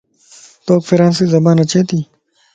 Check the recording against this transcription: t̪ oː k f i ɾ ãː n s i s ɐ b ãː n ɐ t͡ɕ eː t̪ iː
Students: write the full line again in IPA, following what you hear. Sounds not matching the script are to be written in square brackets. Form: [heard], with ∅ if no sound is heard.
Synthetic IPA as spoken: t̪ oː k f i ɾ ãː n s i [z] ɐ b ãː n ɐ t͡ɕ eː t̪ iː